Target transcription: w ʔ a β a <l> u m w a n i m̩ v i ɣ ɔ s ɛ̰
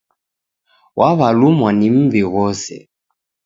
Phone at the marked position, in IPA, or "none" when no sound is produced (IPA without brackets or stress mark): l